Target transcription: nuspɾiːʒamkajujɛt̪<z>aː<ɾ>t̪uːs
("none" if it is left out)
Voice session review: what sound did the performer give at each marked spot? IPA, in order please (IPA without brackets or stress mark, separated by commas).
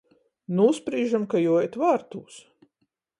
v, ɾ